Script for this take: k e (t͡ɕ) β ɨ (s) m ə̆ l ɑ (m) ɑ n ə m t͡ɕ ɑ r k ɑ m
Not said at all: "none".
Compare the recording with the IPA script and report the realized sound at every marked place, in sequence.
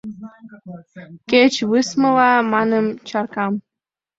t͡ɕ, s, m

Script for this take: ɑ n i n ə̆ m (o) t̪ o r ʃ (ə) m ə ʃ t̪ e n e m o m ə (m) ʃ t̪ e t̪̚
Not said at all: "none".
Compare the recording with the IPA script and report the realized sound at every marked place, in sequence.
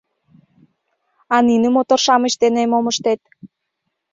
o, ɑ, none

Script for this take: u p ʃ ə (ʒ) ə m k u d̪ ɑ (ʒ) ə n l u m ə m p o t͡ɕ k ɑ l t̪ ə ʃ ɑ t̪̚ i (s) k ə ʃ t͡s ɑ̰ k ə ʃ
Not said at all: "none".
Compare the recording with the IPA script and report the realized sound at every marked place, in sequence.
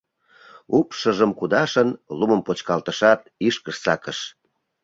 ʒ, ʃ, ʃ

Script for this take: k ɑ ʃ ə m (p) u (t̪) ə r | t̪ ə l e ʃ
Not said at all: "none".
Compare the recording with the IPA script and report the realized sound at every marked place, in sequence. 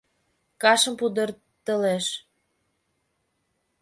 p, d̪

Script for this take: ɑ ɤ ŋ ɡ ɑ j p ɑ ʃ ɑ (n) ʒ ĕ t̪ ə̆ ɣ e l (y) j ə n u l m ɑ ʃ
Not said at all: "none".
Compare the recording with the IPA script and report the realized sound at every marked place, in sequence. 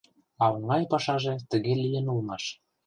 none, i

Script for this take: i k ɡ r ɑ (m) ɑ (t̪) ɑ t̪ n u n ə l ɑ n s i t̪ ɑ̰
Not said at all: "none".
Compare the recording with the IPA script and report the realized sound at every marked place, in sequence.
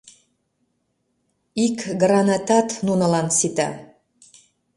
n, t̪

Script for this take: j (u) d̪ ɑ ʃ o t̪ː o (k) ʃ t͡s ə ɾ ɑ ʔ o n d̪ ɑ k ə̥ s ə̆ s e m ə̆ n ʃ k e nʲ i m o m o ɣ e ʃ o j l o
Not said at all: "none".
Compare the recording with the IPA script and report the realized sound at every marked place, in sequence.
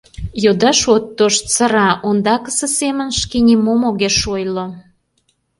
o, none

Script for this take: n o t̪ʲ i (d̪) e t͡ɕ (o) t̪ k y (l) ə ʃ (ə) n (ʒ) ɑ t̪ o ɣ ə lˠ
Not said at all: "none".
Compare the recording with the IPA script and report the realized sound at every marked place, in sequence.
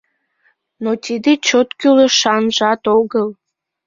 d̪, o, l, ɑ, ʒ

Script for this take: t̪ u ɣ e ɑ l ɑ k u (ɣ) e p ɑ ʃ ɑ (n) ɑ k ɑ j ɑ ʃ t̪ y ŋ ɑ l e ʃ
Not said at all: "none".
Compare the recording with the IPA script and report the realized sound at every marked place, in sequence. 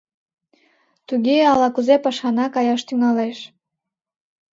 z, n

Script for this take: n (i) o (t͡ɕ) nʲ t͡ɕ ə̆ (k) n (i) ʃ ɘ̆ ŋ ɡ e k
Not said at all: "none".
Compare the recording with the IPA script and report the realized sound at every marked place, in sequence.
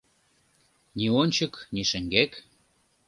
i, none, k, i

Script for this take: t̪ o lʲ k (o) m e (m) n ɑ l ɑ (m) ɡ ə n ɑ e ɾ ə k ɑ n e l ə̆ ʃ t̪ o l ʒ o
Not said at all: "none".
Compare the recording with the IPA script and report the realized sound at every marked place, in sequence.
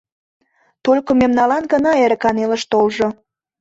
o, m, n

